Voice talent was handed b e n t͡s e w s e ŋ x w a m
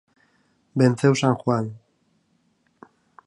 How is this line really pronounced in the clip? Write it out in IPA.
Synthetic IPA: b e n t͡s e w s a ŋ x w a n